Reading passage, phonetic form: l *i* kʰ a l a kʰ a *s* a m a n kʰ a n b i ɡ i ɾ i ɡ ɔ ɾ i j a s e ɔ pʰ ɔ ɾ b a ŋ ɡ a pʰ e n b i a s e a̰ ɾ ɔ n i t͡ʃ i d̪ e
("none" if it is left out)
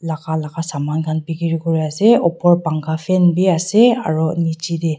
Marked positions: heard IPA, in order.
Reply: a, s

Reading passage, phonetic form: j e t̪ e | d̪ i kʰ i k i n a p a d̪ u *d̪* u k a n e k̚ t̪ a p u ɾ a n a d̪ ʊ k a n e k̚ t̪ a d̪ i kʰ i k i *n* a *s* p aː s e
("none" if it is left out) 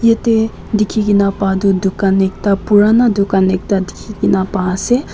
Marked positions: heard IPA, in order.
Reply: d̪, n, none

